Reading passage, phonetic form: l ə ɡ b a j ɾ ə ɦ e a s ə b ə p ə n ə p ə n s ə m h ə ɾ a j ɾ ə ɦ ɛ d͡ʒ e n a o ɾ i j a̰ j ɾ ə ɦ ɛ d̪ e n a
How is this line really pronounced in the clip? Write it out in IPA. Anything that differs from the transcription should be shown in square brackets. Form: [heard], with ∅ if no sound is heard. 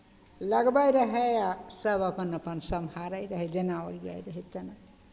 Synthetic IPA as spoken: l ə ɡ b a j ɾ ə ɦ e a s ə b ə p ə n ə p ə n s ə m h [a] ɾ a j ɾ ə ɦ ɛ d͡ʒ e n a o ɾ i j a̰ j ɾ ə ɦ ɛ [t̪] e n a